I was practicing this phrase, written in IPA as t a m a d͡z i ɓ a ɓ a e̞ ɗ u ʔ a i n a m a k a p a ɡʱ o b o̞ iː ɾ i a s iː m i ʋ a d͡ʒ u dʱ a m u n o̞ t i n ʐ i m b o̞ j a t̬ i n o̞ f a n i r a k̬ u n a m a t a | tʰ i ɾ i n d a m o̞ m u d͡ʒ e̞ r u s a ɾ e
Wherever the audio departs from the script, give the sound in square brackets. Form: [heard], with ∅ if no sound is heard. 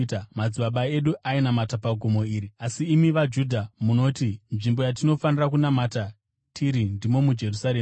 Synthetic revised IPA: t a m a d͡z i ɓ a ɓ a e̞ ɗ u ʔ a i n a m a [t] a p a ɡʱ o [m] o̞ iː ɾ i a s iː m i ʋ a d͡ʒ u dʱ a m u n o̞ t i n ʐ i m b o̞ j a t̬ i n o̞ f a n i r a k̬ u n a m a t a | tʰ i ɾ i n d [i] m o̞ m u d͡ʒ e̞ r u s a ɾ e